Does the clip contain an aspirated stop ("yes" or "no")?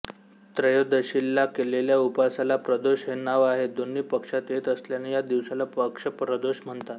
no